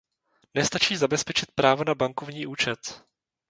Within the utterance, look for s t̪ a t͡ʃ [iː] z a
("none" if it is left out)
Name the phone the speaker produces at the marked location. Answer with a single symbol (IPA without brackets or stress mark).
iː